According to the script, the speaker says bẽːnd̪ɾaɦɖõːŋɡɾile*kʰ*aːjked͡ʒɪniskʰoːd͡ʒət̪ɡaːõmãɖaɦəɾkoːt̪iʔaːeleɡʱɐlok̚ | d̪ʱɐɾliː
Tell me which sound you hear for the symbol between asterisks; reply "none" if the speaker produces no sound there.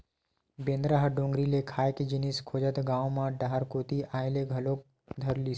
kʰ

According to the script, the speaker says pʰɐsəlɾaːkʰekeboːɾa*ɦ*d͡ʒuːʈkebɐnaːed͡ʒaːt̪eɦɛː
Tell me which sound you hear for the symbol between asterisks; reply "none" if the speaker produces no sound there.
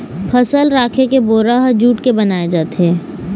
ɦ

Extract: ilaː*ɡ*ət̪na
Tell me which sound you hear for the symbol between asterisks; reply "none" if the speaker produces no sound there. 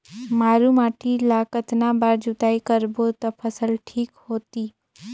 k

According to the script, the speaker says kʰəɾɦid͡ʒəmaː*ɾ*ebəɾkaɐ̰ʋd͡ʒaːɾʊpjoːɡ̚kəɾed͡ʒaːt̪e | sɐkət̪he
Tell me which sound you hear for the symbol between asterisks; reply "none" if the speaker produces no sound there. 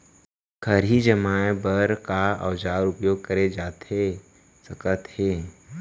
none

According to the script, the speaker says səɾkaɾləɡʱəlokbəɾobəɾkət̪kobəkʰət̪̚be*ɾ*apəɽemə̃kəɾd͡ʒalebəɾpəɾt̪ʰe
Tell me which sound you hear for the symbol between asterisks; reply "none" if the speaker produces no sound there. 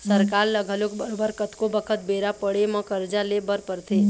ɾ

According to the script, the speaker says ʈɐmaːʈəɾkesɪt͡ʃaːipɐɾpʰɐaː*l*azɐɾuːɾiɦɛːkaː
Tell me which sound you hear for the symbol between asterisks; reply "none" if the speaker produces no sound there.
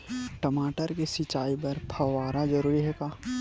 ɾ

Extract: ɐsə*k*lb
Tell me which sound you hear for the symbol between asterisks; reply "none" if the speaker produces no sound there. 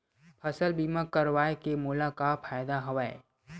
none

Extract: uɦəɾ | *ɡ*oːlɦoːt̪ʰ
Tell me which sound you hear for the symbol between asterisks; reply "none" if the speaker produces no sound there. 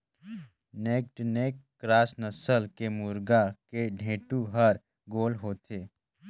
ɡ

